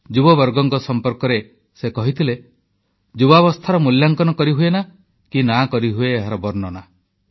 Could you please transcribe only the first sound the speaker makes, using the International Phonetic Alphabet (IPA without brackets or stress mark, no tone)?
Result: d͡ʒ